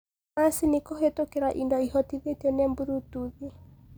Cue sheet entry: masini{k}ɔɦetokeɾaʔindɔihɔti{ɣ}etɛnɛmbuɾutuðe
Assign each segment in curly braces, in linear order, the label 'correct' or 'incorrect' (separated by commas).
correct, incorrect